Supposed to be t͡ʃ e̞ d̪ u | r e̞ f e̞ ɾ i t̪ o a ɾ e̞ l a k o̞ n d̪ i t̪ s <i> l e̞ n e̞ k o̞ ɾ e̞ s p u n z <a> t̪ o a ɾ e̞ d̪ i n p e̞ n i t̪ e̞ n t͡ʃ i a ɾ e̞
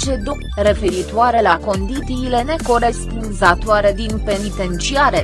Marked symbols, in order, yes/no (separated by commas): no, yes